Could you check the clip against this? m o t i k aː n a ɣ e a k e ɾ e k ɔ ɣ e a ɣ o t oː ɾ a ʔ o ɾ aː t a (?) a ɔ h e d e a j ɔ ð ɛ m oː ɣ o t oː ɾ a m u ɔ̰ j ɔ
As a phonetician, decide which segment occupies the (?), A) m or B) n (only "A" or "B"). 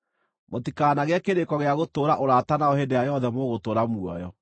B